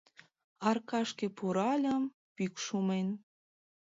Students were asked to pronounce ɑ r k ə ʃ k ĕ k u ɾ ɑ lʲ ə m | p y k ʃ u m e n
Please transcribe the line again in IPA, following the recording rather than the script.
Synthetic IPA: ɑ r k ɑ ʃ k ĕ p u ɾ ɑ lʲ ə m | p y k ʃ u m e n